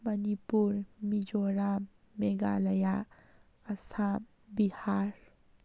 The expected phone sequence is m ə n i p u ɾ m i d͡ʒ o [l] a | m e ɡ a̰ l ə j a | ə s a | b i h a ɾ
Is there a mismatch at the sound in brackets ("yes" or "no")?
yes